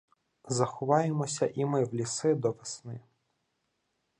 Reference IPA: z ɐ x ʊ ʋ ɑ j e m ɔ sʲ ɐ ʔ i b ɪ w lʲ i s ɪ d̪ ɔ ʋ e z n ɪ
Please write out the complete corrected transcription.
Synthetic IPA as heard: z ɐ x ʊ ʋ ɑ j e m ɔ sʲ ɐ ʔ i m ɪ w lʲ i s ɪ d̪ ɔ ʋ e s n ɪ

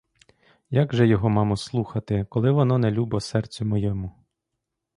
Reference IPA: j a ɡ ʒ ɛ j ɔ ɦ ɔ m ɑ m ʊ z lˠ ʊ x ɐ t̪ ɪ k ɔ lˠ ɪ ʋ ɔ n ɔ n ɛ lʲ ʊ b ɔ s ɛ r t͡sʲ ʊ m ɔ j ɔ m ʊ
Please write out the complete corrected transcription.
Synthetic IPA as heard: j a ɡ ʒ ɛ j ɔ ɦ ɔ m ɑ m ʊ s lˠ u x ɐ t̪ ɪ k ɔ lˠ ɪ ʋ ɔ n ɔ n ɛ lʲ u b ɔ s ɛ r t͡sʲ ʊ m ɔ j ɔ m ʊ

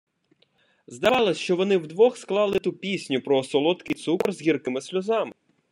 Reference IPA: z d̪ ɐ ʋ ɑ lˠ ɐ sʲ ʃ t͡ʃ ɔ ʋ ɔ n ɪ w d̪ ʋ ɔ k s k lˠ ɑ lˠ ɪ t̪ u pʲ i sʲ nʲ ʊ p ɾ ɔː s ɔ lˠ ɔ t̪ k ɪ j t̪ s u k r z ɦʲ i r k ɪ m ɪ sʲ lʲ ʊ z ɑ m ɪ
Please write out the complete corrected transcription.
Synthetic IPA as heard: z d̪ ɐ ʋ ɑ lˠ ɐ sʲ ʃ t͡ʃ ɔ ʋ ɔ n ɪ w d̪ ʋ ɔ x s k lˠ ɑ lˠ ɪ t̪ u pʲ i sʲ nʲ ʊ p ɾ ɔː s ɔ lˠ ɔ t̪ k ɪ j t̪ s u k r z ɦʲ i r k ɪ m ɪ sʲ lʲ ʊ z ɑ m ɪ

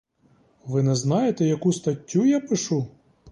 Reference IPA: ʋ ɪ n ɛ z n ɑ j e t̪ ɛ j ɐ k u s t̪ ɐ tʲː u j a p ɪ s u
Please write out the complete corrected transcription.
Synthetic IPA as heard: ʋ ɪ n ɛ z n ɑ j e t̪ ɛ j ɐ k u s t̪ ɐ tʲː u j a p ɪ ʃ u

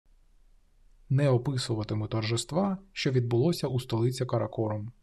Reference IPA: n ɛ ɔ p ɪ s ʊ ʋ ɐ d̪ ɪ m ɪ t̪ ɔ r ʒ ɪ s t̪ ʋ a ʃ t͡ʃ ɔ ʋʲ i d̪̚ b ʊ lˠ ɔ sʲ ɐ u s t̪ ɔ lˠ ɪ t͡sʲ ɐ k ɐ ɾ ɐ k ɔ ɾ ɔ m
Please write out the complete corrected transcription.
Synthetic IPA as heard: n ɛ ɔ p ɪ s ʊ ʋ ɐ t̪ ɪ m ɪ t̪ ɔ r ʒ ɪ s t̪ ʋ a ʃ t͡ʃ ɔ ʋʲ i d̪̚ b ʊ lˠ ɔ sʲ ɐ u s t̪ ɔ lˠ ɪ t͡sʲ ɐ k ɐ ɾ ɐ k ɔ ɾ ɔ m

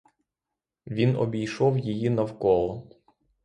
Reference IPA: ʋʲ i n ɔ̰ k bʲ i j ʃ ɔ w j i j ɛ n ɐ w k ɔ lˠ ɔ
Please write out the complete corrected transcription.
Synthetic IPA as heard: ʋʲ i n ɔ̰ bʲ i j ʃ ɔ w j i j i n ɐ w k ɔ lˠ ɔ

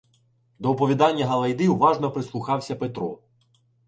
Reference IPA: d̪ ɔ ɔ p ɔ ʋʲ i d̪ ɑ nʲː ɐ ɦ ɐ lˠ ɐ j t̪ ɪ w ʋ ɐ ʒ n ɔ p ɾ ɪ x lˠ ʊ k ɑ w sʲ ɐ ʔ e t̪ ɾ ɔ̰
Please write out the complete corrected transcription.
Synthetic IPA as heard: d̪ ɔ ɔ p ɔ ʋʲ i d̪ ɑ nʲː ɐ ɦ ɐ lˠ ɐ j d̪ ɪ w ʋ ɑ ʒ n ɔ p ɾ ɪ s lˠ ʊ x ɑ w sʲ ɐ p e t̪ ɾ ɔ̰

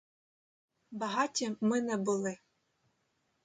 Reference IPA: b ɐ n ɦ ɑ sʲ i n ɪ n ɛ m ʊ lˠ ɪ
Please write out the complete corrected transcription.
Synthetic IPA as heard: b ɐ ɦ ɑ tʲ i m ɪ n ɛ b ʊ lˠ ɪ

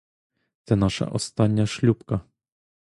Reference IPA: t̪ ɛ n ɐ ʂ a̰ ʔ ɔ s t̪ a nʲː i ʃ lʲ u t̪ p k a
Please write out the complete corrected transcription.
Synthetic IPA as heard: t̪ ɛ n a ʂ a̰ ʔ ɔ s t̪ a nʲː a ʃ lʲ u p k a

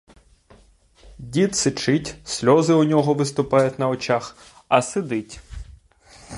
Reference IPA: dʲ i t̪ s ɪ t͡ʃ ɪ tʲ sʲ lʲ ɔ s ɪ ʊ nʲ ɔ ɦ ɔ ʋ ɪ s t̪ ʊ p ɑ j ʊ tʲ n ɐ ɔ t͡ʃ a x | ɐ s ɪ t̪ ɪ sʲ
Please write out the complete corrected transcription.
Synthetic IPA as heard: dʲ i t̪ s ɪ t͡ʃ ɪ tʲ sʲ lʲ ɔ z ɪ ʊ nʲ ɔ ɦ ɔ ʋ ɪ s t̪ ʊ p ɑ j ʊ tʲ n ɐ ɔ t͡ʃ a x | ɐ s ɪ d̪ ɪ tʲ

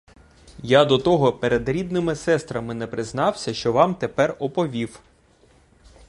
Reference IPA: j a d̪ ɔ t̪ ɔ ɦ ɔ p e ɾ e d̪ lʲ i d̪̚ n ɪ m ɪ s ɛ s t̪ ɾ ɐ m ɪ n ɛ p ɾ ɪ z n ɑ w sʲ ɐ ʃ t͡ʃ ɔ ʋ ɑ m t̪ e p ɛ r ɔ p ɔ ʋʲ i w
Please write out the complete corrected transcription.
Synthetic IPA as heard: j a d̪ ɔ t̪ ɔ ɦ ɔ p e ɾ e d̪ ɾʲ i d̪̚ n ɪ m ɪ s ɛ s t̪ ɾ ɐ m ɪ n ɛ p ɾ ɪ z n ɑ w sʲ ɐ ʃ t͡ʃ ɔ ʋ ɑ m t̪ e p ɛ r ɔ p ɔ ʋʲ i w

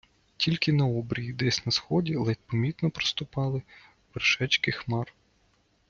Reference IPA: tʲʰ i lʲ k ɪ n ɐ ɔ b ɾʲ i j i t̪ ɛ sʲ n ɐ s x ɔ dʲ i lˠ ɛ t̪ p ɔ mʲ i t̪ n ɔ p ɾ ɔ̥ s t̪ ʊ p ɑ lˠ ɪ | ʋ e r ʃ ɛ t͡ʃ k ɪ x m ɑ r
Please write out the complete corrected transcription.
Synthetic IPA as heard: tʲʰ i lʲ k ɪ n ɐ ɔ b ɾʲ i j i d̪ ɛ sʲ n ɐ s x ɔ dʲ i lˠ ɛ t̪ p ɔ mʲ i t̪ n ɔ p ɾ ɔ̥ s t̪ ʊ p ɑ lˠ ɪ | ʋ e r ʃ ɛ t͡ʃ k ɪ x m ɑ r

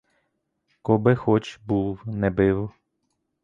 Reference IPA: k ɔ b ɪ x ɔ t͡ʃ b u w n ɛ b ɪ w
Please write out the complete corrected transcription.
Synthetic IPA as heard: k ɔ b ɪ x ɔ t͡ʃ b u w n ɛ b ɪ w

